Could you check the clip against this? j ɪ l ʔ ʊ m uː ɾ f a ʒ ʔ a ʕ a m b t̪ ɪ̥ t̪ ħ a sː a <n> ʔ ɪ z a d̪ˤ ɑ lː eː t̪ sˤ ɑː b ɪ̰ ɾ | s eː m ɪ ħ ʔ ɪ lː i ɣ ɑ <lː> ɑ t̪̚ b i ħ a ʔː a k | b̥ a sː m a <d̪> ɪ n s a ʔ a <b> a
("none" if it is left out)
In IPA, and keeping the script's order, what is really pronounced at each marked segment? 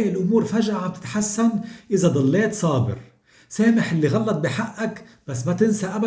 n, lː, t̪, b

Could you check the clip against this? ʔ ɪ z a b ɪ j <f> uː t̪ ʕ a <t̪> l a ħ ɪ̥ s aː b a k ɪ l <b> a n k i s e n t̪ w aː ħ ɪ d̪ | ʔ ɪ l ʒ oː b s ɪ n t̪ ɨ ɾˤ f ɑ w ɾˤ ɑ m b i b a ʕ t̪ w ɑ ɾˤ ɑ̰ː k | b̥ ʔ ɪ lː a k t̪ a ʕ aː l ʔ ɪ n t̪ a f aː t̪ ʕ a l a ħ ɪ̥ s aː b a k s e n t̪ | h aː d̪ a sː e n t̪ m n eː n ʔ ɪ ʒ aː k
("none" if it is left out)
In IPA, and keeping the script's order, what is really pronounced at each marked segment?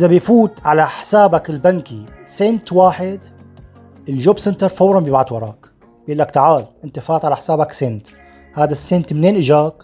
f, none, b

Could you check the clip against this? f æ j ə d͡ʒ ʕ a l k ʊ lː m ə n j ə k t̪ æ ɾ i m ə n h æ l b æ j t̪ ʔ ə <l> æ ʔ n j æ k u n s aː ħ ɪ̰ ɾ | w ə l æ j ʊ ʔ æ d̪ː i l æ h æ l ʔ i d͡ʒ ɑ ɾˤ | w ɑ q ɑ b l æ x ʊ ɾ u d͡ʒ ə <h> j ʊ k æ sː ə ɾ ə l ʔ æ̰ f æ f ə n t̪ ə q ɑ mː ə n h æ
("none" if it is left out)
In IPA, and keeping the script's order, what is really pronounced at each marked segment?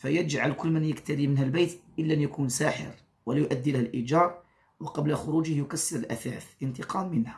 lː, h

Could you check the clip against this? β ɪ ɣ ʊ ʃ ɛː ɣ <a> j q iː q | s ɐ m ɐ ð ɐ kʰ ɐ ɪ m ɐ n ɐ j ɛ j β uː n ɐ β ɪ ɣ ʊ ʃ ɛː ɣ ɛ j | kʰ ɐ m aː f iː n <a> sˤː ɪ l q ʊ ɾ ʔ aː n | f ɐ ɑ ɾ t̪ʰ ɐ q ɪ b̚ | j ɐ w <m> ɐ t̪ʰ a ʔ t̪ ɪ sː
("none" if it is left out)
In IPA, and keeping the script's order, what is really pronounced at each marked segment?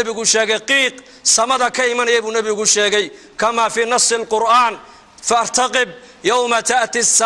ɛ, ɑ, m

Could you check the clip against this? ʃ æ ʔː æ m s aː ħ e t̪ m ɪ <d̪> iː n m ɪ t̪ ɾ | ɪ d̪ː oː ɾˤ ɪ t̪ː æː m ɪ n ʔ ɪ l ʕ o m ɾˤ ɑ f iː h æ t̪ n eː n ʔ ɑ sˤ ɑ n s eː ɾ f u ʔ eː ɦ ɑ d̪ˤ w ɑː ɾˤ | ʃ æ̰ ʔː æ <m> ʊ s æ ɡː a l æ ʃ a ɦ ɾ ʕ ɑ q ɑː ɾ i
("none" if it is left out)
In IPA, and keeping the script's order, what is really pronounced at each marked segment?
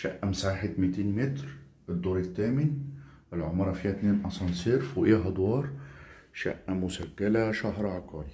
t̪, m

